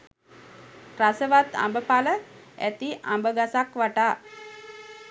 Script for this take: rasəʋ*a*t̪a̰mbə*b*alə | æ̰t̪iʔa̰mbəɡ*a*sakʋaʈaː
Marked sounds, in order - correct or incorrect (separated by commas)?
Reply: correct, incorrect, correct